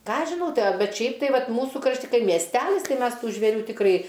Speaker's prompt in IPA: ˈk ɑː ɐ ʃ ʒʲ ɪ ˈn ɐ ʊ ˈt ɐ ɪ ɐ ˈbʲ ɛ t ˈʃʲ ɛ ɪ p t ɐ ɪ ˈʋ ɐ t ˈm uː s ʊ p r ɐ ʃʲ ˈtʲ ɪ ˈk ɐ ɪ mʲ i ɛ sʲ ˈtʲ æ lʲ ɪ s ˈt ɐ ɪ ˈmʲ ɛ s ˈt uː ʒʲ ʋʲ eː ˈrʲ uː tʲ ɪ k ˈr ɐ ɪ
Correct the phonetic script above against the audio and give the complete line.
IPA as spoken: ˈk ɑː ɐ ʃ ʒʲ ɪ ˈn ɐ ʊ ˈt ɐ ɪ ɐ ˈbʲ ɛ t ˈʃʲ ɛ ɪ p t ɐ ɪ ˈʋ ɐ t ˈm uː s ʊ k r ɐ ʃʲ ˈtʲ ɪ ˈk ɐ ɪ mʲ i ɛ sʲ ˈtʲ æ lʲ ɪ s ˈt ɐ ɪ ˈmʲ ɛ s ˈt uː ʒʲ ʋʲ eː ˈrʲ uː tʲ ɪ k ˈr ɐ ɪ